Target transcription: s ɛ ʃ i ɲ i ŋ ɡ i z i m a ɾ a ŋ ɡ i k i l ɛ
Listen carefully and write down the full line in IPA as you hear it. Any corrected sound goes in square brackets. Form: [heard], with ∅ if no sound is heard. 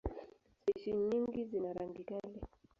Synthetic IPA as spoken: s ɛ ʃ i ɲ i ŋ ɡ i z i [n] a ɾ a ŋ ɡ i k [a] l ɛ